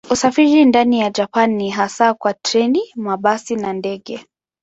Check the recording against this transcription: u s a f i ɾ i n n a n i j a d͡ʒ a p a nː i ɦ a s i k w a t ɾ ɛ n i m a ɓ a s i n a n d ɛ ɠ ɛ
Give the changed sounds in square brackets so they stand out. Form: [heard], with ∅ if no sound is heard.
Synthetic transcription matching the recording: u s a f i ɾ i n [d] a n i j a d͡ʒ a p a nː i ɦ a s [a] k w a t ɾ ɛ n i m a ɓ a s i n a n d ɛ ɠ ɛ